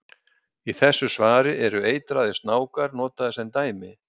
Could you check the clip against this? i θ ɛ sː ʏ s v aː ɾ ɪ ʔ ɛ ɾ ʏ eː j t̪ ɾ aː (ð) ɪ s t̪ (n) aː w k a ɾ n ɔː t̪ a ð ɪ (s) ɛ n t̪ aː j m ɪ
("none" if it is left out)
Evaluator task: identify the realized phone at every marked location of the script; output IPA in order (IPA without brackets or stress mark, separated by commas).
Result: ð, n, s